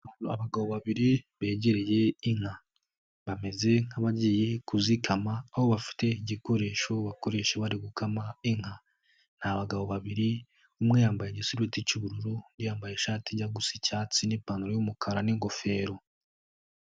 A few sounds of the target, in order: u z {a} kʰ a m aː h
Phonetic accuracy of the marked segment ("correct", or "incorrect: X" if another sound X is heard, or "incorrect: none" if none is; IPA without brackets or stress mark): incorrect: i